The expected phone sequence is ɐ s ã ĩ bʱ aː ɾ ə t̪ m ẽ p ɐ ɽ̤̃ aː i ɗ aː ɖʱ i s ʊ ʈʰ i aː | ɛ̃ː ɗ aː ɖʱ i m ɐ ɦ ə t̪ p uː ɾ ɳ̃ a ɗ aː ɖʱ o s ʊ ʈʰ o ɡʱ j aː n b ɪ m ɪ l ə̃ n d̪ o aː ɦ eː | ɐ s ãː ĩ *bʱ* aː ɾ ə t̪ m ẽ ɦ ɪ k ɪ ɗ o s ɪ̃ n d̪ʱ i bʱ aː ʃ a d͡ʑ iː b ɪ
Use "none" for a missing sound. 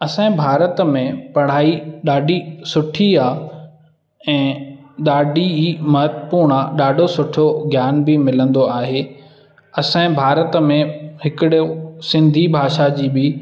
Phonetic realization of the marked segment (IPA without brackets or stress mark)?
bʱ